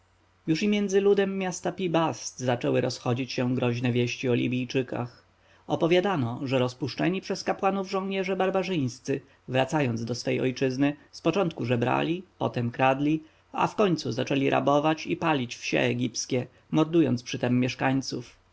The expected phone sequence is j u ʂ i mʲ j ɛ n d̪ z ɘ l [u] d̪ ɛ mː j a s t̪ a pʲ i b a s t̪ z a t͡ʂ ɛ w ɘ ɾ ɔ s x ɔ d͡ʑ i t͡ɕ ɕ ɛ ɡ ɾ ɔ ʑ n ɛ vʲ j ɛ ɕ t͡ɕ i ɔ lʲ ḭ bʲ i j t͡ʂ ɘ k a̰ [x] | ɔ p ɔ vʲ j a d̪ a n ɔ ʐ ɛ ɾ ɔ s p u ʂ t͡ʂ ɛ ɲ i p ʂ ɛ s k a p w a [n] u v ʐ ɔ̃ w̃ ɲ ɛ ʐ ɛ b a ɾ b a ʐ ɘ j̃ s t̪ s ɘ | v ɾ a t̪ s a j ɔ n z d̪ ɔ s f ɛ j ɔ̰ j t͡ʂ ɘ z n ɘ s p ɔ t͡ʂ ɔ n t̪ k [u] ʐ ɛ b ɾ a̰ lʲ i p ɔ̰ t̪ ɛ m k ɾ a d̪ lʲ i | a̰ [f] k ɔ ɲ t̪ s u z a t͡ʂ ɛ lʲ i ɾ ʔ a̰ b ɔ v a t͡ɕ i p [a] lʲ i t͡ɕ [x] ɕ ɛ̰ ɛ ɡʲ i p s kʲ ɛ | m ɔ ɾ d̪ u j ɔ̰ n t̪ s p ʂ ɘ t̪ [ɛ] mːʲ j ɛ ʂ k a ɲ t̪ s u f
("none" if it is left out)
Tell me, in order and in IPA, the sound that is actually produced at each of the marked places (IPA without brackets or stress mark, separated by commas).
u, x, n, u, f, a, f, ɛ